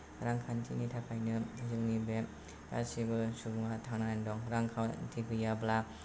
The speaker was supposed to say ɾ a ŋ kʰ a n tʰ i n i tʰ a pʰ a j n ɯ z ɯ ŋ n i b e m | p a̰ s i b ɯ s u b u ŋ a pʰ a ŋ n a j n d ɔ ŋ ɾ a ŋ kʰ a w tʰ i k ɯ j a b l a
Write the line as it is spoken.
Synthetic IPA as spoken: ɾ a ŋ kʰ a n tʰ i n i tʰ a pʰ a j n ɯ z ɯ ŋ n i b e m | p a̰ s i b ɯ s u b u ŋ a tʰ a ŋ n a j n d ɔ ŋ ɾ a ŋ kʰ a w tʰ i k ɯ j a b l a